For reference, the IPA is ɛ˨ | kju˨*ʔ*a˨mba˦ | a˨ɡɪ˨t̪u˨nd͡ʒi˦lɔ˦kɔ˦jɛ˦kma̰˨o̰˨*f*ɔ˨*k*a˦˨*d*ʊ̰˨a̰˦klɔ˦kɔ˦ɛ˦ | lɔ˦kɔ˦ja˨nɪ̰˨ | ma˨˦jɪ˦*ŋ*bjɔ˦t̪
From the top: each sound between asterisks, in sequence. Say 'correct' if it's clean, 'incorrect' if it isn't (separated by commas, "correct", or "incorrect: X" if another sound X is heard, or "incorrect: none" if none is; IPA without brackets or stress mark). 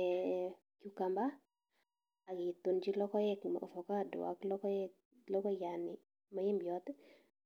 incorrect: k, correct, correct, correct, incorrect: m